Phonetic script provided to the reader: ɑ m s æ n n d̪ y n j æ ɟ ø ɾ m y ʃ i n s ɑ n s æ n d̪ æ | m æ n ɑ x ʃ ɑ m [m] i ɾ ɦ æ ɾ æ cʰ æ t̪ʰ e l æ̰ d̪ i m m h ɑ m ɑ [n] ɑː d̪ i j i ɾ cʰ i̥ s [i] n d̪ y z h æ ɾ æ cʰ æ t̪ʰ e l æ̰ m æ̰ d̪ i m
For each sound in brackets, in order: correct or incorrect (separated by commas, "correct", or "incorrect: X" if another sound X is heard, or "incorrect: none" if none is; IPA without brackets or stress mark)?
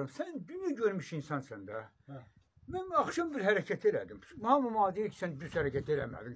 incorrect: b, incorrect: m, incorrect: æ